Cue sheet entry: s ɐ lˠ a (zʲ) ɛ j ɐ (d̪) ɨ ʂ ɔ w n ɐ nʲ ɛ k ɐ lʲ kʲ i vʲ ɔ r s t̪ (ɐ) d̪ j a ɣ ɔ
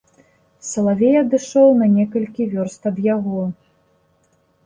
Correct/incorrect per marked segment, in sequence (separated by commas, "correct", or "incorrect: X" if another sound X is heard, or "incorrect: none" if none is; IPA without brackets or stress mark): incorrect: vʲ, correct, correct